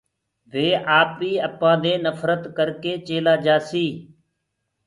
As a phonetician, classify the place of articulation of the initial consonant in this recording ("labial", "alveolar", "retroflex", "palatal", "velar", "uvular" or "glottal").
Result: labial